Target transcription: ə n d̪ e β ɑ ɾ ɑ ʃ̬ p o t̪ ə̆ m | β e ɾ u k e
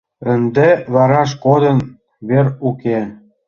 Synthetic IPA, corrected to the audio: ə n d̪ e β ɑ ɾ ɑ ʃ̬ k o d̪ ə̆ n | β e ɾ u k e